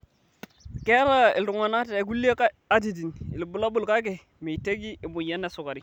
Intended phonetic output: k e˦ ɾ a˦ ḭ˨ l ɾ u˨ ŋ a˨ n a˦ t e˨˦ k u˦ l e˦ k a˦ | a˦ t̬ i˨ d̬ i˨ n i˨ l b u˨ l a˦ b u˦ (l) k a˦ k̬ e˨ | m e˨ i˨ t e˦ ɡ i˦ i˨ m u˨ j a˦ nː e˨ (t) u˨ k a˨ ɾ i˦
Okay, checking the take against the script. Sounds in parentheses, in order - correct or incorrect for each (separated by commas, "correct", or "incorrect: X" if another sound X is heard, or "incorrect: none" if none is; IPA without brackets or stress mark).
correct, incorrect: s